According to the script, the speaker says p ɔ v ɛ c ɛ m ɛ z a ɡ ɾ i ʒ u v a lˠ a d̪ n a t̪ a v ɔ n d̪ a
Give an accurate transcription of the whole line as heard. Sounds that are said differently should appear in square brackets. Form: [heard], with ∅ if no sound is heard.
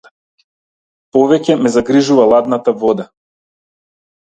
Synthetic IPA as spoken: p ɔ v ɛ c ɛ m ɛ z a ɡ ɾ i ʒ u v a lˠ a d̪ n a t̪ a v ɔ [∅] d̪ a